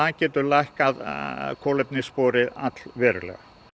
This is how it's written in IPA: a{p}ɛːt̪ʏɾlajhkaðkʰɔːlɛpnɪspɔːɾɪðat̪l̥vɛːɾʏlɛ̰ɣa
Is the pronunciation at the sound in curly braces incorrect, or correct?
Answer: incorrect